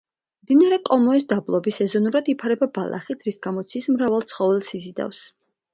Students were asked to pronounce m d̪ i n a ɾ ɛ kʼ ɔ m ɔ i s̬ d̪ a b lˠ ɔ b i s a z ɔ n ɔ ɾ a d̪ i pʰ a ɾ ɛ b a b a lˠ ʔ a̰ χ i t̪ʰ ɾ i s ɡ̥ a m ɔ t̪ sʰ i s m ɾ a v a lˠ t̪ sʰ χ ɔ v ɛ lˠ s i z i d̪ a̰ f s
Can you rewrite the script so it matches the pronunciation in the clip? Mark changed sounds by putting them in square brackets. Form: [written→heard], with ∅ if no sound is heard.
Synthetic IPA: m d̪ i n a ɾ ɛ kʼ ɔ m ɔ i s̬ d̪ a b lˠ ɔ b i s [a→ɛ] z ɔ n [ɔ→u] ɾ a d̪ i pʰ a ɾ ɛ b a b a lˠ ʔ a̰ χ i t̪ʰ ɾ i s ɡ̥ a m ɔ t̪ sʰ i s m ɾ a v a lˠ t̪ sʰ χ ɔ v ɛ lˠ s i z i d̪ a̰ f s